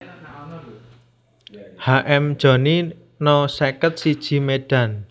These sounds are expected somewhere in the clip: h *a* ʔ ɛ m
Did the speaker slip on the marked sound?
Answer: no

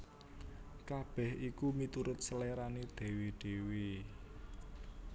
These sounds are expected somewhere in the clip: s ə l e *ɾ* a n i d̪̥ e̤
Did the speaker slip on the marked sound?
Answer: no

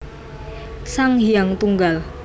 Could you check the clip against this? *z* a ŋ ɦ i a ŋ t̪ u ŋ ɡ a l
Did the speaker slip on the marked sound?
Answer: yes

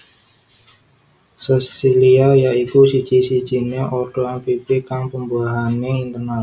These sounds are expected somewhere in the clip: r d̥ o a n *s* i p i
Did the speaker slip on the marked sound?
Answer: yes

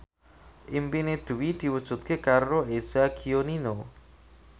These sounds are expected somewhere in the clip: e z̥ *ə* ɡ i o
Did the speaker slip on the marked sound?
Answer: yes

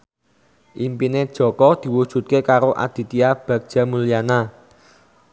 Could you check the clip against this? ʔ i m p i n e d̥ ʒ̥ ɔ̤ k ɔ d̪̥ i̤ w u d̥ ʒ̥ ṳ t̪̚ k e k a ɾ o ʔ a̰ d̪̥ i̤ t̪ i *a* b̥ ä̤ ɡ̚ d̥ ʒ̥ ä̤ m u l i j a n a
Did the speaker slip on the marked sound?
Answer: no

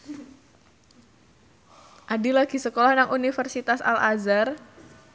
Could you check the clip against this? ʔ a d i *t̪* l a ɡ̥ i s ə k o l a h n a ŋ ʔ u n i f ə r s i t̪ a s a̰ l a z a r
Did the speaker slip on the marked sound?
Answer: yes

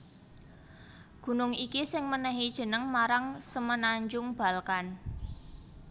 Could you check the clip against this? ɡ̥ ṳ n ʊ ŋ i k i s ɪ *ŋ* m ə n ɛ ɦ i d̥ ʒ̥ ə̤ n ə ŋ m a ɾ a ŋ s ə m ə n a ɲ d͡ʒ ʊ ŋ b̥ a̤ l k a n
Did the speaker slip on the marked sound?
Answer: no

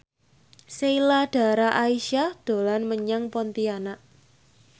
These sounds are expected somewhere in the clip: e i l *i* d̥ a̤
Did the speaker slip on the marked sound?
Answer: yes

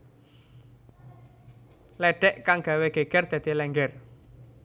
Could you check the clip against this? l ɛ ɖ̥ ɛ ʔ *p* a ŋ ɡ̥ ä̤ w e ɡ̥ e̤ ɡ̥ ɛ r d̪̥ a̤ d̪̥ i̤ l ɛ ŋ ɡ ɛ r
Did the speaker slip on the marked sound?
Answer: yes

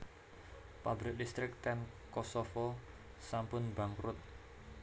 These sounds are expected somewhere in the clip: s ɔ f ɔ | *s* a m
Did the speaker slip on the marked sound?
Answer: no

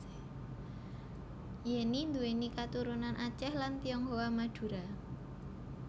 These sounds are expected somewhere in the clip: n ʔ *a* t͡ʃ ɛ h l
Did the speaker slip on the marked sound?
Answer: no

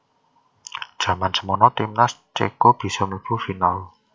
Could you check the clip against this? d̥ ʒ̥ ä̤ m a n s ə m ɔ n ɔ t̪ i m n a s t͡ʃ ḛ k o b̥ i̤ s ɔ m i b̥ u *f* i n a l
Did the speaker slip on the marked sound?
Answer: no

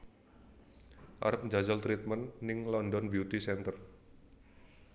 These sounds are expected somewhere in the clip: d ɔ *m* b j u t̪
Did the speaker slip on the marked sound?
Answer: yes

